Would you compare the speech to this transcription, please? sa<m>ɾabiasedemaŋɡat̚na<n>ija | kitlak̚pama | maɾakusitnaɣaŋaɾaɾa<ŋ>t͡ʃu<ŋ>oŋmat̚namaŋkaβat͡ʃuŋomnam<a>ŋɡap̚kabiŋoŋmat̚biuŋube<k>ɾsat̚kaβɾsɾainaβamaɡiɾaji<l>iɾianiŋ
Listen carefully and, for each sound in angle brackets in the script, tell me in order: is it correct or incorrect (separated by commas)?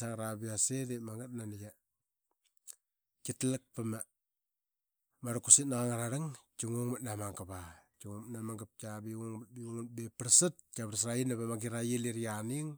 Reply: incorrect, correct, correct, correct, correct, incorrect, correct